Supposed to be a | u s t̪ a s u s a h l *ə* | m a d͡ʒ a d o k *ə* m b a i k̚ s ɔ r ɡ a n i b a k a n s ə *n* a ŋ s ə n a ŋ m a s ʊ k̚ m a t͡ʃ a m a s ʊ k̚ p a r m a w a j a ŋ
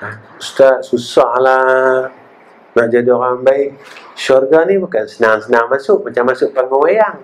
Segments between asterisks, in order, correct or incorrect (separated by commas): incorrect, incorrect, correct